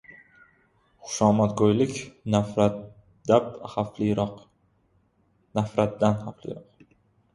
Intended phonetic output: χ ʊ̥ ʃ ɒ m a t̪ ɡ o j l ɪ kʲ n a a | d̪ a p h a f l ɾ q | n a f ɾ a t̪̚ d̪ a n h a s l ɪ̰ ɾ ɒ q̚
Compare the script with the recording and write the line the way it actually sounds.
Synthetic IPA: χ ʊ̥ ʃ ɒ m a t̪ ɡ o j l ɪ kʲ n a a | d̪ a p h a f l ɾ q | n a f ɾ a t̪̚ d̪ a n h a f l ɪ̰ ɾ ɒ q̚